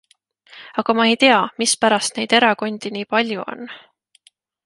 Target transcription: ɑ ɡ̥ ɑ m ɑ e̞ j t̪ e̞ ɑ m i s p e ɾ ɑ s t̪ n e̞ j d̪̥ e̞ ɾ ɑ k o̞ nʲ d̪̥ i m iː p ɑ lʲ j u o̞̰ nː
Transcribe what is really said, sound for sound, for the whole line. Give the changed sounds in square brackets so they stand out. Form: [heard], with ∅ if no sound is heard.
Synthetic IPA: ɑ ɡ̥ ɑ m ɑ e̞ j t̪ e̞ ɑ m i s p [æ] ɾ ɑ s t̪ n e̞ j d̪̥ e̞ ɾ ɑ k o̞ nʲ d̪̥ i [n] iː p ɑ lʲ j u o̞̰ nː